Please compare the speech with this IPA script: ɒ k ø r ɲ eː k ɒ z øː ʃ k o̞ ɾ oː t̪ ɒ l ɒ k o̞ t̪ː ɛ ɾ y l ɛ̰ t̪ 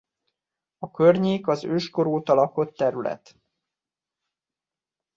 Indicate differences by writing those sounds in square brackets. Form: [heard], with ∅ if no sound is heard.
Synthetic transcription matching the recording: ɒ k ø r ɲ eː k ɒ z øː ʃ k o̞ ɾ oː t̪ ɒ l ɒ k o̞ t̪ː ɛ ɾ y l ɛ̰ t̪